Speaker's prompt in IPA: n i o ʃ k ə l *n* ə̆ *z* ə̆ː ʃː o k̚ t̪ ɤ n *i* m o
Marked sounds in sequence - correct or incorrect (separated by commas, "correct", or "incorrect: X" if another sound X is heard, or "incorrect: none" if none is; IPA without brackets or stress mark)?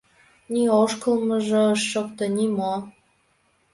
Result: incorrect: m, incorrect: ʒ, correct